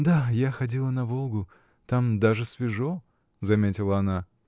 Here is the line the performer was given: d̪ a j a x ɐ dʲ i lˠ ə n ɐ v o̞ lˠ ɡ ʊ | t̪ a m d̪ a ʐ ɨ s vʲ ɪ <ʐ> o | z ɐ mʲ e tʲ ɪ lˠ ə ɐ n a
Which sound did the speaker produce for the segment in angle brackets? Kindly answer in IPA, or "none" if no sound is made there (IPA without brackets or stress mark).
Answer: ʐ